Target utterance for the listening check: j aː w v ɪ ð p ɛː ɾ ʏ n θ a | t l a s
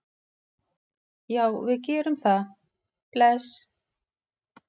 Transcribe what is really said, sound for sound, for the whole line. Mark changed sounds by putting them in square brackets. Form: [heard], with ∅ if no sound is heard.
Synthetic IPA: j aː w v ɪ ð [c] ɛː ɾ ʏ [m] θ a | [p] l [ɛ] s